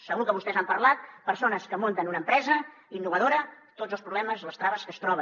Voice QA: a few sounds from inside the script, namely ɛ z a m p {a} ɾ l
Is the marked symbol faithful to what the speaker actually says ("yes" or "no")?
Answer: no